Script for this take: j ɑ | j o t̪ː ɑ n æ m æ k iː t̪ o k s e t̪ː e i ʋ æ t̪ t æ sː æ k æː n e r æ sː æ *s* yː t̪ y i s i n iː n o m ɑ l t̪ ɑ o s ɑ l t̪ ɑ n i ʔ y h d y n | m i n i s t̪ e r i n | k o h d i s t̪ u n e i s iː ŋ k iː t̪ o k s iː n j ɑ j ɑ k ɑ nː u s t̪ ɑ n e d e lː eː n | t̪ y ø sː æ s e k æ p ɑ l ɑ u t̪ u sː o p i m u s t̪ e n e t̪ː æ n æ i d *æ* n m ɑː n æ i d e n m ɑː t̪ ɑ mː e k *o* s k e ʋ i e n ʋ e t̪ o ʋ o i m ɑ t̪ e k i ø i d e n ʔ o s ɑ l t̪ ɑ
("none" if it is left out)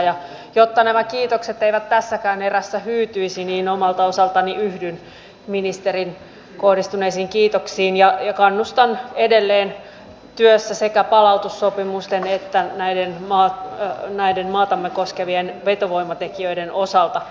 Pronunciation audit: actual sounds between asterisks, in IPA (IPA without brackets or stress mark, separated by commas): h, e, o